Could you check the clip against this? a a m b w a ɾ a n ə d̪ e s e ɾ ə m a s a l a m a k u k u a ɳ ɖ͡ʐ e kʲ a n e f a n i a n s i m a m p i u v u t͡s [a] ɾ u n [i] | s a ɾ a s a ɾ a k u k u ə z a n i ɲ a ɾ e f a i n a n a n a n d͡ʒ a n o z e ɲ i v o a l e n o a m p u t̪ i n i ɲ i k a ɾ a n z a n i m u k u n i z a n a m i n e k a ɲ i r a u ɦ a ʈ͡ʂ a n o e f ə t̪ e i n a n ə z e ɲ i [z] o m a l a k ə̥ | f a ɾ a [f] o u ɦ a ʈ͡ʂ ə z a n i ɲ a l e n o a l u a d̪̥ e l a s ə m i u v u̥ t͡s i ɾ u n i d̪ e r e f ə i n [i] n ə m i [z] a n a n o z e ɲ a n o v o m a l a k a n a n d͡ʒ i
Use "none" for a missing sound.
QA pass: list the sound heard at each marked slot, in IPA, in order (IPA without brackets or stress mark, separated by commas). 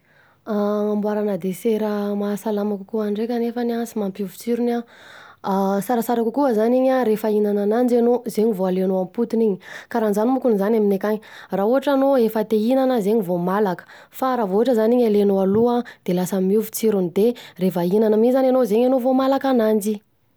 i, a, v, v, a, z